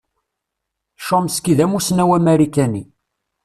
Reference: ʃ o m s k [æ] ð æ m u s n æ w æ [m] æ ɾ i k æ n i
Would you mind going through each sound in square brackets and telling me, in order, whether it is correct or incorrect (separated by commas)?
incorrect, correct